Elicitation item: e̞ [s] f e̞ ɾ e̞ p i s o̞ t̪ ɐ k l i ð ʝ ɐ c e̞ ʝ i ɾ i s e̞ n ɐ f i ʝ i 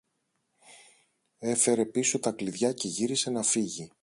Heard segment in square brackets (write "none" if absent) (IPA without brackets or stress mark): none